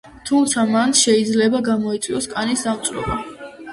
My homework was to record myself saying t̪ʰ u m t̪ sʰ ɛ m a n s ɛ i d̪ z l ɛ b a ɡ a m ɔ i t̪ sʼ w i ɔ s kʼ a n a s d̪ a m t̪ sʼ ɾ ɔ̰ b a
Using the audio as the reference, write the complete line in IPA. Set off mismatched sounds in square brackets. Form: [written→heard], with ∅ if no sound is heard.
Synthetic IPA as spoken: t̪ʰ u m t̪ sʰ [ɛ→a] m a n [s→ʃ] ɛ i d̪ z l ɛ b a ɡ a m ɔ i t̪ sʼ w i ɔ s kʼ a n [a→i] s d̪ a m t̪ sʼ ɾ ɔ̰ b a